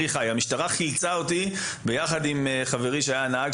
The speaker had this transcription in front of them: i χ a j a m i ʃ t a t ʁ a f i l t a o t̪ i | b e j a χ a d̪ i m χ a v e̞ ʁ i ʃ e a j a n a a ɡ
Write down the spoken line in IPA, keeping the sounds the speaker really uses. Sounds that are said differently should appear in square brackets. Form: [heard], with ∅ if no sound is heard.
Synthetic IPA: i χ a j a m i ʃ t a [∅] ʁ a [χ] i l [t͡s] a o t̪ i | b e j a χ a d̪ i m χ a v e̞ ʁ i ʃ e a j a n a a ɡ